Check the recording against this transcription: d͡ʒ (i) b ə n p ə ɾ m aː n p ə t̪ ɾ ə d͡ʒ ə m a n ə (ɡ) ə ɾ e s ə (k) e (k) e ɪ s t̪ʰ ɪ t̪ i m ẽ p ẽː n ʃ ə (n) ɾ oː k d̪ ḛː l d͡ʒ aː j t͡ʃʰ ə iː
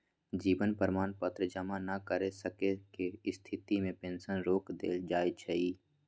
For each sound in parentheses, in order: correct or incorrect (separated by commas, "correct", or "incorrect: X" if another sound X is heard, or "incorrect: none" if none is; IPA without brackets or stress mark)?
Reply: incorrect: iː, incorrect: k, correct, correct, correct